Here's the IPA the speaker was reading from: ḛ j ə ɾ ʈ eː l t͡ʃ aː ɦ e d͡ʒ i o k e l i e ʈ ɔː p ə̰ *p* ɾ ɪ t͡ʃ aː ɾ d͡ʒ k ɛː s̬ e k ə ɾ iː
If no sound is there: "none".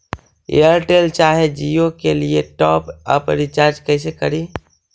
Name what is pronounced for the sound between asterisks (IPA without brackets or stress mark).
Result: p